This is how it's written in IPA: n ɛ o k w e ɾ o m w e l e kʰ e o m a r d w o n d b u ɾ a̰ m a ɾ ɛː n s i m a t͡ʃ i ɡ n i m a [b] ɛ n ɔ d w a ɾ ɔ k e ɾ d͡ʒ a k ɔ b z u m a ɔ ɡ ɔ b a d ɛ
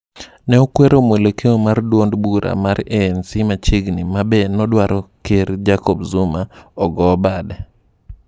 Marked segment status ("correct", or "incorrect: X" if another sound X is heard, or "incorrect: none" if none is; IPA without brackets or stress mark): correct